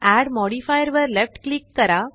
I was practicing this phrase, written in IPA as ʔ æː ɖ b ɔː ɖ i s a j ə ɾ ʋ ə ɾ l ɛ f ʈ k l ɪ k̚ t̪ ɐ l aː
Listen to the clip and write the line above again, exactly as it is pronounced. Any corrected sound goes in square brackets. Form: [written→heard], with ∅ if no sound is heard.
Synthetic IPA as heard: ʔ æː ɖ [b→m] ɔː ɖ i [s→f] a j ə ɾ ʋ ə ɾ l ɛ f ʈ k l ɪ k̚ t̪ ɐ [l→ɾ] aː